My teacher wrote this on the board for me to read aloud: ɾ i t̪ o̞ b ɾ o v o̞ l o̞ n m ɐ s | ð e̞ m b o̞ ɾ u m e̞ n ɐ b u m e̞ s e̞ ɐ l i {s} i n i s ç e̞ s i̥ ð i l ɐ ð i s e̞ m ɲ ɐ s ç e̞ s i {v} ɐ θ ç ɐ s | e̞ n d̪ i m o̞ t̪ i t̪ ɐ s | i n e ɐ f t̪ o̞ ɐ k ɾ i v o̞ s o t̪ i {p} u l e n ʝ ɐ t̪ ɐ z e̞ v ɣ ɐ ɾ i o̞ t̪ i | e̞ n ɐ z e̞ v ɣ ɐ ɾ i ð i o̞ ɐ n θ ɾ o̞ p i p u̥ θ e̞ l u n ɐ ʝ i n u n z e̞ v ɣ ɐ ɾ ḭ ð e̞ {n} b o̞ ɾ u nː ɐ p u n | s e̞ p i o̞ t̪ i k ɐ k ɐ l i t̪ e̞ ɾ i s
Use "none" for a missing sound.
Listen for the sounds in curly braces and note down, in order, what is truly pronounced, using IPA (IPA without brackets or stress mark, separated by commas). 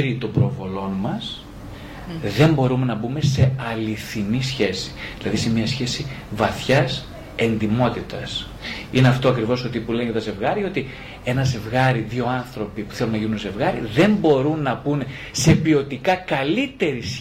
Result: θ, v, p, m